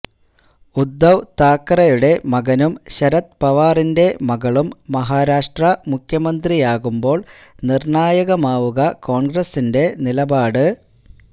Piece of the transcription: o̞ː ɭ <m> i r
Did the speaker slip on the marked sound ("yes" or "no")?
yes